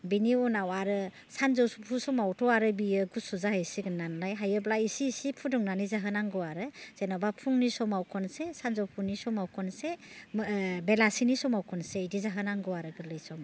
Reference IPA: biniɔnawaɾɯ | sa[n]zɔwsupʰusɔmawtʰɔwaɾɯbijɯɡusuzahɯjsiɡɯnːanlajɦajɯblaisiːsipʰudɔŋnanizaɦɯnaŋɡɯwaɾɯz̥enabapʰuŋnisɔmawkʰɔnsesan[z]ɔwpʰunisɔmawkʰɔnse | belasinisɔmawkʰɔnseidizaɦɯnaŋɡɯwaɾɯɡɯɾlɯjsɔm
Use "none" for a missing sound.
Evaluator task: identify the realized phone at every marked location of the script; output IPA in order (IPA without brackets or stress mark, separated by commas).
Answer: n, z